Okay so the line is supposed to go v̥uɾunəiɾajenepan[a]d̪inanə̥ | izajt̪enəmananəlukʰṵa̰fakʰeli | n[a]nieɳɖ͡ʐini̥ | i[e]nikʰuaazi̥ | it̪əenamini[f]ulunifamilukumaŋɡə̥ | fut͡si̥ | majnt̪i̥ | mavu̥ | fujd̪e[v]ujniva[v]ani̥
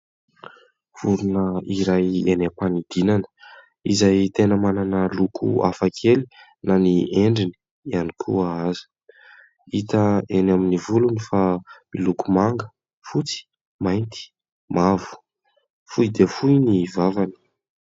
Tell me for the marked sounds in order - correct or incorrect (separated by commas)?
incorrect, correct, incorrect, incorrect, incorrect, correct